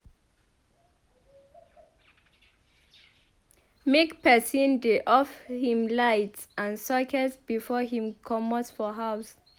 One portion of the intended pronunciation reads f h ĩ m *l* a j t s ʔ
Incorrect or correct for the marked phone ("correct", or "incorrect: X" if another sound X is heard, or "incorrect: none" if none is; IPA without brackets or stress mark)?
correct